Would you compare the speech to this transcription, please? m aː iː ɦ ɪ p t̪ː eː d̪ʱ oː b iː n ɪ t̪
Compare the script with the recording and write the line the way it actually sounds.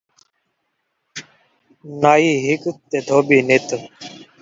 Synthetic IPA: n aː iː ɦ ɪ k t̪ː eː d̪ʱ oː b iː n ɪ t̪